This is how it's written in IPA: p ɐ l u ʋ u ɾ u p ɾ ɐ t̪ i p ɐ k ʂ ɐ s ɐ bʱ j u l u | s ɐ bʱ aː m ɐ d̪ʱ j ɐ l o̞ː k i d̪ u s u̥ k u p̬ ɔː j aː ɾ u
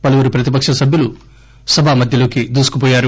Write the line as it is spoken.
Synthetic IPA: p ɐ l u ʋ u ɾ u p ɾ ɐ t̪ i p ɐ k ʂ ɐ s ɐ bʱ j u l u | s ɐ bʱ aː m ɐ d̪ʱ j ɐ l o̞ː k i d̪ uː s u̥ k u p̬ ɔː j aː ɾ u